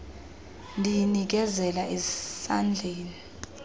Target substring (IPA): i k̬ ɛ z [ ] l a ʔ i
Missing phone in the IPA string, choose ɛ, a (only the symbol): ɛ